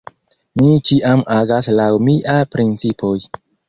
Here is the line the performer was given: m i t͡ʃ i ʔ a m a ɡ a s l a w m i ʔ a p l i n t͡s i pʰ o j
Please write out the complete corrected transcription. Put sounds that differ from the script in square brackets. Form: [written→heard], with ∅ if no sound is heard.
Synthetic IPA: m i t͡ʃ i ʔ a m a ɡ a s l a w m i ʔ a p [l→ɾ] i n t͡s i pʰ o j